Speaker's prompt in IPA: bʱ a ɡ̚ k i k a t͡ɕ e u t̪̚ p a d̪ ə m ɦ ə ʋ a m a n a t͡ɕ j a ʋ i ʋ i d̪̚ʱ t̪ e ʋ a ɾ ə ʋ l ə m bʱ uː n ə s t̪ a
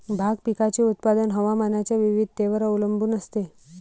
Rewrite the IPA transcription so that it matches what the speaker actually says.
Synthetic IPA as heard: bʱ a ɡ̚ p i k a t͡ɕ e u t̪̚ p a d̪ ə n ɦ ə ʋ a m a n a t͡ɕ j a ʋ i ʋ i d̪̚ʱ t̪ e ʋ ə ɾ ə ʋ l ə m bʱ uː n ə s t̪ e